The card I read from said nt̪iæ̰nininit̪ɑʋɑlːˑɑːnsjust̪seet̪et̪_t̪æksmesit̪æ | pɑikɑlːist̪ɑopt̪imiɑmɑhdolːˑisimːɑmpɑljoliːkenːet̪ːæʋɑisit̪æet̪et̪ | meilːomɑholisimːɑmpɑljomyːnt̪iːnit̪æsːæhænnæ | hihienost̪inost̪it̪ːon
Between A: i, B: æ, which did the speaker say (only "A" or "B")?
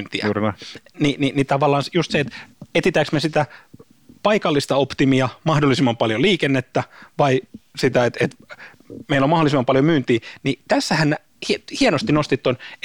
A